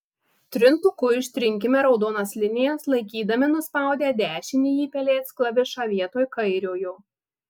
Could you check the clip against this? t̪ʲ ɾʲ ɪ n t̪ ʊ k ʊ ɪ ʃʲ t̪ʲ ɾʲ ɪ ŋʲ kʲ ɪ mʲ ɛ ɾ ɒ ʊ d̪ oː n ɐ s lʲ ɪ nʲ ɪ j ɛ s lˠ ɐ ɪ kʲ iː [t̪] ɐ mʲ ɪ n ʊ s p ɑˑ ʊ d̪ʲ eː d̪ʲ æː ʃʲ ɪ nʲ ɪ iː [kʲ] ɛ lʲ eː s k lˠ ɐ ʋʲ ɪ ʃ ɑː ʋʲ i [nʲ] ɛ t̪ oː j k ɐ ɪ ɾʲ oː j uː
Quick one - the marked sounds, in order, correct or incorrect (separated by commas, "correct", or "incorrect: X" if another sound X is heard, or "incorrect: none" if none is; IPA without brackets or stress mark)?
incorrect: d̪, incorrect: pʲ, incorrect: none